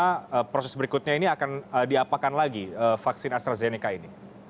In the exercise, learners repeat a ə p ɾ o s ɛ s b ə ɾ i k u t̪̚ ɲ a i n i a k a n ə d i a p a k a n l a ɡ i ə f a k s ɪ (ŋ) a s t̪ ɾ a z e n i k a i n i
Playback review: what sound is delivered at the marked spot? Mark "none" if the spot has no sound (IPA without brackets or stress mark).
n